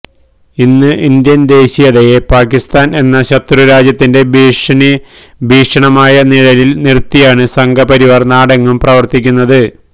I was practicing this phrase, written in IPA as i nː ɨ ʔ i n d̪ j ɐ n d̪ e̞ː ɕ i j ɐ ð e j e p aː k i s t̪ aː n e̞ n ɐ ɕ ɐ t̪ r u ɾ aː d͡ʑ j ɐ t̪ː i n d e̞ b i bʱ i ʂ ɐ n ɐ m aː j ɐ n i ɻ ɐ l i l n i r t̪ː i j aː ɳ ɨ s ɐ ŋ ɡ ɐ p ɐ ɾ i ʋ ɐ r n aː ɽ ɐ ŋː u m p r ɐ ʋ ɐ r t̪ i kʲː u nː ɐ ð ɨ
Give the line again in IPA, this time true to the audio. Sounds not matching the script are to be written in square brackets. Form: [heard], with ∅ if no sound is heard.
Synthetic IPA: i nː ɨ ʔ i n d̪ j ɐ n d̪ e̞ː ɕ i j ɐ ð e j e p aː k i s t̪ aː n e̞ [nː] ɐ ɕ ɐ t̪ r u ɾ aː d͡ʑ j ɐ t̪ː i n d e̞ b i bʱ [iː] ʂ ɐ [ɳ] ɐ m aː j ɐ n i ɻ ɐ l i l n i r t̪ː i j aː ɳ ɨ s ɐ ŋ ɡ ɐ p ɐ ɾ i ʋ ɐ r n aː ɽ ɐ ŋː u m p r ɐ ʋ ɐ r t̪ i kʲː u nː ɐ ð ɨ